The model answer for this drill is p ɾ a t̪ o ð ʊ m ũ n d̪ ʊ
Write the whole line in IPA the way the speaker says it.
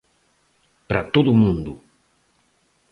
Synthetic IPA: p ɾ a t̪ o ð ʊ m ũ n d̪ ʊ